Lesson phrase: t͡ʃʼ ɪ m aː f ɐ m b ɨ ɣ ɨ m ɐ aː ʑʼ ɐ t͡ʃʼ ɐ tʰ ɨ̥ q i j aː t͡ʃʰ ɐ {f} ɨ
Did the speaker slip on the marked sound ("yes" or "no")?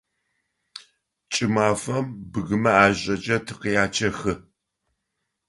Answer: yes